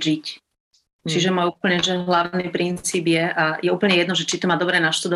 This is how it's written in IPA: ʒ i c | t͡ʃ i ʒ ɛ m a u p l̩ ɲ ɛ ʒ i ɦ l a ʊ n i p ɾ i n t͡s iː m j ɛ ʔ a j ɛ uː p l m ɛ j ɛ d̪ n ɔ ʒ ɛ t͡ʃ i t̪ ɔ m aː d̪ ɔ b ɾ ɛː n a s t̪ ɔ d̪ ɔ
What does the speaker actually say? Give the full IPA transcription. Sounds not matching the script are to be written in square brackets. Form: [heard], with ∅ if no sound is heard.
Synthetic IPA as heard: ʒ i c | t͡ʃ i ʒ ɛ m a u p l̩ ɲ ɛ ʒ [ɛ] ɦ l a ʊ n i p ɾ i n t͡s iː [b] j ɛ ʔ a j ɛ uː p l [ɲ] ɛ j ɛ d̪ n ɔ ʒ ɛ t͡ʃ i t̪ ɔ m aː d̪ ɔ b ɾ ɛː n a [ʃ] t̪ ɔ d̪ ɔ